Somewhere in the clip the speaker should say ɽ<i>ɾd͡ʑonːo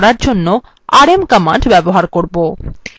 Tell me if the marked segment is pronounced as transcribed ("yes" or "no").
no